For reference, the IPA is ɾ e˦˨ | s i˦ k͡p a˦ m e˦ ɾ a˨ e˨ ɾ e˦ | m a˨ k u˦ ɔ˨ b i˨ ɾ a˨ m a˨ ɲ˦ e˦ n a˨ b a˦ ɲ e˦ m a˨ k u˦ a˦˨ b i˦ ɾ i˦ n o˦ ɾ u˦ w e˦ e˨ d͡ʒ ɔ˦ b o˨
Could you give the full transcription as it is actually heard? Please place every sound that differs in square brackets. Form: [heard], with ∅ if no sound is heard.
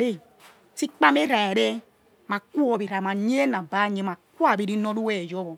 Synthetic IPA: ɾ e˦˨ | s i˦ k͡p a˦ m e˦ ɾ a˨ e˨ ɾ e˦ | m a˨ k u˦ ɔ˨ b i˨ ɾ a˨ m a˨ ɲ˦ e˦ n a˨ b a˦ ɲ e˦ m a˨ k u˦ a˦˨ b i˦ ɾ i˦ n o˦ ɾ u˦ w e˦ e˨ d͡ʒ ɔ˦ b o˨